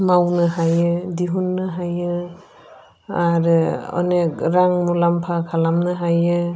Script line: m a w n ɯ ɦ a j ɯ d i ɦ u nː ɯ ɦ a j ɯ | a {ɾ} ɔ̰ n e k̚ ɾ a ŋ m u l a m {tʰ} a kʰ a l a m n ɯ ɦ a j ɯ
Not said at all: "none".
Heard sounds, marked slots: ɾ, pʰ

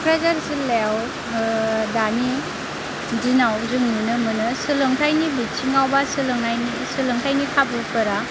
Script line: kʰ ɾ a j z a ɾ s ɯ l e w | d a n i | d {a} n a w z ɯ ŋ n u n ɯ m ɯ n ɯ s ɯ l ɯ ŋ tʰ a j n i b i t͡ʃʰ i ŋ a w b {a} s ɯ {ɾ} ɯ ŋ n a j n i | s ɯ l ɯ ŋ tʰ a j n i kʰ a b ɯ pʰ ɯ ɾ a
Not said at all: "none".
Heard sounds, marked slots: i, a, l

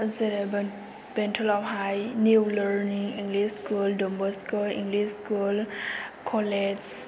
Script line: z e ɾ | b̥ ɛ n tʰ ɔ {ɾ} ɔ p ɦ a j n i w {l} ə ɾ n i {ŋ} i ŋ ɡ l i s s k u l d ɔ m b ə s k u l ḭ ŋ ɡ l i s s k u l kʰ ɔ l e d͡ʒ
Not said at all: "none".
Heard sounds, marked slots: l, l, ŋ

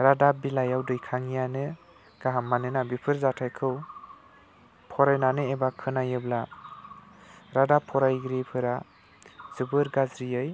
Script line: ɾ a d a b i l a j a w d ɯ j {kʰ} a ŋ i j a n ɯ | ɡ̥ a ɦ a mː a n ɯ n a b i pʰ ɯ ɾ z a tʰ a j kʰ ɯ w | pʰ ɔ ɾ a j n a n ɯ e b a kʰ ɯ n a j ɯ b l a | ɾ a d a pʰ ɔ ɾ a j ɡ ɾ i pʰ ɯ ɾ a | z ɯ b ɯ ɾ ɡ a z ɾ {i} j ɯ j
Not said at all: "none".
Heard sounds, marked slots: kʰ, i

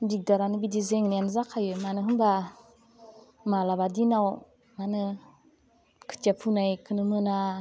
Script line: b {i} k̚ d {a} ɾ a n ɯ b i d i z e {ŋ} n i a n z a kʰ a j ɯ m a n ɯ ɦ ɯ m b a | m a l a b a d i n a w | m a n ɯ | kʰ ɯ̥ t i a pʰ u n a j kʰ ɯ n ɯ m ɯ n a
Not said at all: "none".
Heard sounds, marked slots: i, a, ŋ

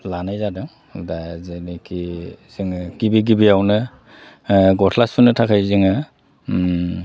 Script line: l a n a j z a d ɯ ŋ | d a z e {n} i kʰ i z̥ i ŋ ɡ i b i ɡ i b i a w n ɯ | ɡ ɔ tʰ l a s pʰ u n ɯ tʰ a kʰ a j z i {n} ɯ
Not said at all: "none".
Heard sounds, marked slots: n, ŋ

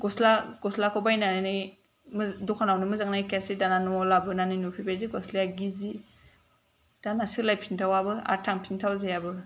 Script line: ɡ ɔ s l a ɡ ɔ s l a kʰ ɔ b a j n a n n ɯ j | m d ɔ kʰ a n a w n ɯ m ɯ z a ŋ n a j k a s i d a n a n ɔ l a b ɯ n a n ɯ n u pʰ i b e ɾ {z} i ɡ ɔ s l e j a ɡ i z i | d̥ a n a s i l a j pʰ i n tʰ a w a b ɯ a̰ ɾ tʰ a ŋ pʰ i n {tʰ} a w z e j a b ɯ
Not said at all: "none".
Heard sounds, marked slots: z, tʰ

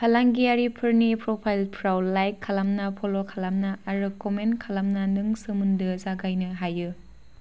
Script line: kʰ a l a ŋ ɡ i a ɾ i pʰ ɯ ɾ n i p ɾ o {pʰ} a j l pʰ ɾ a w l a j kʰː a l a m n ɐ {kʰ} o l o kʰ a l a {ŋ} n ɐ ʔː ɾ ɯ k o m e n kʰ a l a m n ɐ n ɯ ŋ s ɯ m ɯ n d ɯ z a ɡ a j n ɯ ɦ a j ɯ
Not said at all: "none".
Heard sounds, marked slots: pʰ, pʰ, m

